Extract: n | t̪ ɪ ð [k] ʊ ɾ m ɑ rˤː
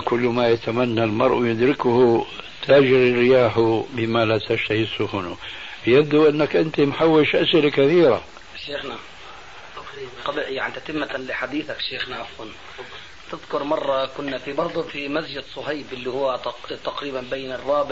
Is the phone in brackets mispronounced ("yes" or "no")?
no